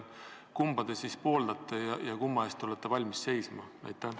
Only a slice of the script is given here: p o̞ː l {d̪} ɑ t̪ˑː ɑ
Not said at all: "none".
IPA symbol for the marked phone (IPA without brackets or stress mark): d̪